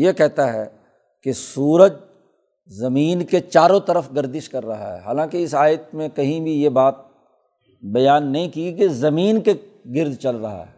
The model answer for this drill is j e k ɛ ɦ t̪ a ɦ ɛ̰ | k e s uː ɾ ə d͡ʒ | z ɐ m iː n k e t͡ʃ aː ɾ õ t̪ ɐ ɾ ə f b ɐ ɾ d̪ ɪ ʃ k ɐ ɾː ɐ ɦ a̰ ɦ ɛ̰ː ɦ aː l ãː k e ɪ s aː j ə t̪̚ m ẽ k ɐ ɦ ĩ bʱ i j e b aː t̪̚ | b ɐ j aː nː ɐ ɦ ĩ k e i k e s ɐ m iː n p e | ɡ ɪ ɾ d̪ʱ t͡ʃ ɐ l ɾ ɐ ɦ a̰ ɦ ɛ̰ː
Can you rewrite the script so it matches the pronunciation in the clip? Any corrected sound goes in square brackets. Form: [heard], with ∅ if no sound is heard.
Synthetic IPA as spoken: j e k ɛ ɦ t̪ a ɦ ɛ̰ | k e s uː ɾ ə d͡ʒ | z ɐ m iː n k e t͡ʃ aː ɾ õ t̪ ɐ ɾ ə f [ɡ] ɐ ɾ d̪ ɪ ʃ k ɐ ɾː ɐ ɦ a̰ ɦ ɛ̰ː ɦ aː l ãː k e ɪ s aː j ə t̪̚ m ẽ k ɐ ɦ ĩ bʱ i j e b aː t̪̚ | b ɐ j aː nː ɐ ɦ ĩ k [i] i k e [z] ɐ m iː n [k] e | ɡ ɪ ɾ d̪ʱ t͡ʃ ɐ l ɾ ɐ ɦ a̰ ɦ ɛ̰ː